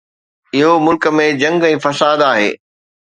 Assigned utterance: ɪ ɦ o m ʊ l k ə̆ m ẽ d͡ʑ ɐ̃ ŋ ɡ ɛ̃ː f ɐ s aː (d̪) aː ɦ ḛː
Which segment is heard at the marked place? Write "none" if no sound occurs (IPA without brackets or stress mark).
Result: d̪